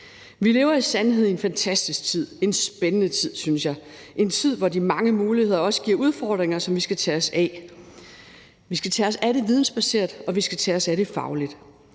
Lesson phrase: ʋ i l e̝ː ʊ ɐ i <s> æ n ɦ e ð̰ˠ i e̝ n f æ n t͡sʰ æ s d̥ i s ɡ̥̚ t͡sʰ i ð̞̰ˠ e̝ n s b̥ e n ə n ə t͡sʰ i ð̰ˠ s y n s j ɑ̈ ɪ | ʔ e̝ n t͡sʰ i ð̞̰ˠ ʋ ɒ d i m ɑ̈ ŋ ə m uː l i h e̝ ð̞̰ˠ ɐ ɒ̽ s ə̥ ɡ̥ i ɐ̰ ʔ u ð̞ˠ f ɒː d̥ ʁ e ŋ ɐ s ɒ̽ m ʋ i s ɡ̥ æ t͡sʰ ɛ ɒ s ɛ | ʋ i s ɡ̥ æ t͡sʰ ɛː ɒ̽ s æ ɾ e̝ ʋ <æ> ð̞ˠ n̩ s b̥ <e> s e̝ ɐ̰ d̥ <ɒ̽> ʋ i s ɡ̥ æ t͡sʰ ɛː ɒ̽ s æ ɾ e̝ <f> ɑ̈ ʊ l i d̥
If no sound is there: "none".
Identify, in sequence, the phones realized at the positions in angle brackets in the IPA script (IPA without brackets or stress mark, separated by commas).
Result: s, i, æ, ɒ̽, f